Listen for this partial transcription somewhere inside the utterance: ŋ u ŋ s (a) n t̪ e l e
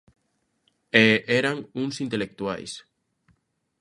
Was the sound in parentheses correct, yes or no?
no